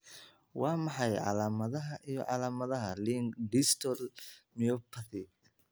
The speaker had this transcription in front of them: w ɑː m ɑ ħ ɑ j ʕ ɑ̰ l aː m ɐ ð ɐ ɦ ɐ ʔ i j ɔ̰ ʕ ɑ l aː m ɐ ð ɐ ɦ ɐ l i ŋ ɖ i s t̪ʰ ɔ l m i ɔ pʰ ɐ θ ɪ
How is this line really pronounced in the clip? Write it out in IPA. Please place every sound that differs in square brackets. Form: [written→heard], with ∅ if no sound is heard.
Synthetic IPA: w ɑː m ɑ ħ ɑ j ʕ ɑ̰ l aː m ɐ ð ɐ ɦ ɐ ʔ i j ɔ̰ ʕ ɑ l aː m ɐ ð ɐ ɦ ɐ l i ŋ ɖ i s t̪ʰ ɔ l m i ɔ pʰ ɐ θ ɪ